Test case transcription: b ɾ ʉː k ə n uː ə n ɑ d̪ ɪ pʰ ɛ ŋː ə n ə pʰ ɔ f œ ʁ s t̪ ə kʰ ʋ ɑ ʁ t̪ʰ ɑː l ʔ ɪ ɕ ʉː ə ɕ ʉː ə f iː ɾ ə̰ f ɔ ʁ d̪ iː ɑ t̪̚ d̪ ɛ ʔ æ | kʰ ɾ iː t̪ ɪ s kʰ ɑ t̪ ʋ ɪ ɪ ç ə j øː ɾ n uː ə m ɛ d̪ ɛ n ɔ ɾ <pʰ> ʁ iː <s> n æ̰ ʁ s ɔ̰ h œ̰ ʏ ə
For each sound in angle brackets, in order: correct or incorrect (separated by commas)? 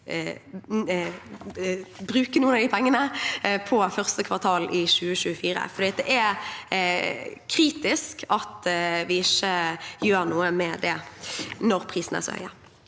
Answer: correct, correct